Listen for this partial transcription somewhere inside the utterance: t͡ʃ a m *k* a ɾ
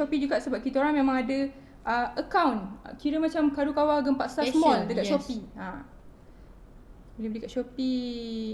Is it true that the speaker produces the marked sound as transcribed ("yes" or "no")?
yes